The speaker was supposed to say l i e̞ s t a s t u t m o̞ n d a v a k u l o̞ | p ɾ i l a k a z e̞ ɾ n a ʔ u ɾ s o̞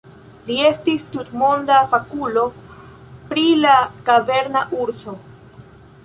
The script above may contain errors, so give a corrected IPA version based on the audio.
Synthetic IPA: l i e̞ s t i s t u t m o̞ n d a f a k u l o̞ | p ɾ i l a k a v e̞ ɾ n a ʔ u ɾ s o̞